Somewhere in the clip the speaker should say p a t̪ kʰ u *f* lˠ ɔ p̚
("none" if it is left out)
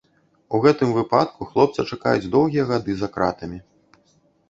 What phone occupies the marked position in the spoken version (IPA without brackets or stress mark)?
x